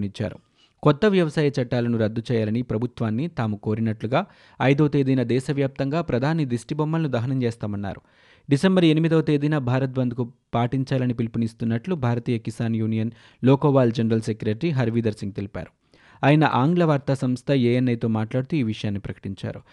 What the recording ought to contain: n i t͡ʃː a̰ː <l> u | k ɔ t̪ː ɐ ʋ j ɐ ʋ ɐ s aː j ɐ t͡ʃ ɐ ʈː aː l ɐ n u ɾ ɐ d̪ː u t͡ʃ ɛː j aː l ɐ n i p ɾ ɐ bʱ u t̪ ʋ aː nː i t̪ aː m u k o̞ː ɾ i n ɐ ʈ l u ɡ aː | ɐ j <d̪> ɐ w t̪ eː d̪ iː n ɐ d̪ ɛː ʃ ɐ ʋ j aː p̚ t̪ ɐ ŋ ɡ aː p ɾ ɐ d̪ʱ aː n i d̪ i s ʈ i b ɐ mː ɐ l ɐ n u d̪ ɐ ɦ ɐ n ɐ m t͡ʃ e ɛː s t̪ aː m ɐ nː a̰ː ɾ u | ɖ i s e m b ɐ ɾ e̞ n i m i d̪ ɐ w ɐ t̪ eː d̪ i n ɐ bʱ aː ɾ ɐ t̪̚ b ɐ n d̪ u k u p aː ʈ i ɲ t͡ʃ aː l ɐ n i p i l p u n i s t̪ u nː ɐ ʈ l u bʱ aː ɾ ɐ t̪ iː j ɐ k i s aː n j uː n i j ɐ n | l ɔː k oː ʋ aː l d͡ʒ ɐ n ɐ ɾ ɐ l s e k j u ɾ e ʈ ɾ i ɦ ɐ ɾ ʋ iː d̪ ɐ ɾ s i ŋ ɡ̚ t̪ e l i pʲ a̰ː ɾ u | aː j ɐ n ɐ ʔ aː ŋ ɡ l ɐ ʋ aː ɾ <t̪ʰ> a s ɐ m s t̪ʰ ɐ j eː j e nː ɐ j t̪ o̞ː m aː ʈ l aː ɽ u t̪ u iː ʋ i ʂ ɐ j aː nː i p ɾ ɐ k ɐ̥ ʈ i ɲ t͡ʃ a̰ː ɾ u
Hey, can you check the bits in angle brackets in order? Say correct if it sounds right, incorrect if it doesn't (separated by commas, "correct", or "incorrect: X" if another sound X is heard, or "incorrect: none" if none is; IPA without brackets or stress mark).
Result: incorrect: ɾ, correct, incorrect: t̪